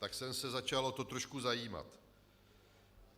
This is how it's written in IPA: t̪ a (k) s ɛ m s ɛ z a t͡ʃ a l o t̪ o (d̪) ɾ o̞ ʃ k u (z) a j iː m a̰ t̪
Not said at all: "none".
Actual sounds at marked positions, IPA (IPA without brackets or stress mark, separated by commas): k, t̪, z